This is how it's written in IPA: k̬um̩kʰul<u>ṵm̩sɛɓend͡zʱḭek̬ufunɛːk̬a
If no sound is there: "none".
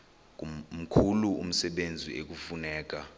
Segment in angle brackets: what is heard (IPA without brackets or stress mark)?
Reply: u